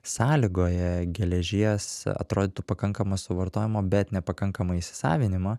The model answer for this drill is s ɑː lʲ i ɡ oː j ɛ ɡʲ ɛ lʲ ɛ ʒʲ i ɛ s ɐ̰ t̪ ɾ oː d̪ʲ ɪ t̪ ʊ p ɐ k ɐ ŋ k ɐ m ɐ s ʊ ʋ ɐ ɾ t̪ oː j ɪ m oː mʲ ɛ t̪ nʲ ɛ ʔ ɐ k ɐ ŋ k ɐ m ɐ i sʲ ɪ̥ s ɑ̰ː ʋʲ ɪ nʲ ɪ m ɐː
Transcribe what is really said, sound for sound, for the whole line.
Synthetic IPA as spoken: s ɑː lʲ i ɡ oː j ɛ ɡʲ ɛ lʲ ɛ ʒʲ i ɛ s ɐ̰ t̪ ɾ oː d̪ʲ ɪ t̪ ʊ p ɐ k ɐ ŋ k ɐ m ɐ s ʊ ʋ ɐ ɾ t̪ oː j ɪ m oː bʲ ɛ t̪ nʲ ɛ p ɐ k ɐ ŋ k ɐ m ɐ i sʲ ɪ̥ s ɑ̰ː ʋʲ ɪ nʲ ɪ m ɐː